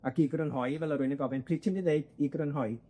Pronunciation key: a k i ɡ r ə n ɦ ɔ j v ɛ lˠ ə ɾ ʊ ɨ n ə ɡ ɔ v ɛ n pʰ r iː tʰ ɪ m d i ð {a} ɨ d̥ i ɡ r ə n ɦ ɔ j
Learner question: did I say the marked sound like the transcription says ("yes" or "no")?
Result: no